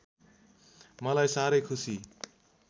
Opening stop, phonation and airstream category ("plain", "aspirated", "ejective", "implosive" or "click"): aspirated